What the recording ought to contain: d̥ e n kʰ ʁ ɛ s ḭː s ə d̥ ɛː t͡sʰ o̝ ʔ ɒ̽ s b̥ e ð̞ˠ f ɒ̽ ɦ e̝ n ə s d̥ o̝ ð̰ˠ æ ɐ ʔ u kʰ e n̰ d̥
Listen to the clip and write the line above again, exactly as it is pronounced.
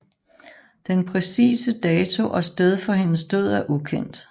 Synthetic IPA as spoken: d̥ e n pʰ ʁ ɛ s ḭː s ə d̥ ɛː t͡sʰ o̝ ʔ ɒ̽ s d̥ e ð̞ˠ f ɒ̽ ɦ e̝ n ə s d̥ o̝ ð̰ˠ æ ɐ ʔ u kʰ e n̰ d̥